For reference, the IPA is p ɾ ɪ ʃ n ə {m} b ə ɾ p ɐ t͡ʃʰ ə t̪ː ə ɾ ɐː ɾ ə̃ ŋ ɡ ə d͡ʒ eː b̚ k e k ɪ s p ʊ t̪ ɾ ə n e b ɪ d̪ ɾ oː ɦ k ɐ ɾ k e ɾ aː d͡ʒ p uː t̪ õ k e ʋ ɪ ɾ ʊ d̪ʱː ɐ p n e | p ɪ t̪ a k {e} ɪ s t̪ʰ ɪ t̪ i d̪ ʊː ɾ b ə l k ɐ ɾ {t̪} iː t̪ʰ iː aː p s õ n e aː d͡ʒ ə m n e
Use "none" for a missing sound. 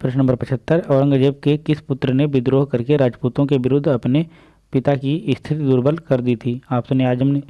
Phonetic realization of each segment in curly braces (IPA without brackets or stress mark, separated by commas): m, i, d̪